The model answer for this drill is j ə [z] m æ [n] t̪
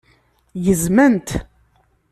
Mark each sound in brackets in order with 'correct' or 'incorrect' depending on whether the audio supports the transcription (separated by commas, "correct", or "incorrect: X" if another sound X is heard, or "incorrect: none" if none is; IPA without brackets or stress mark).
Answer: correct, correct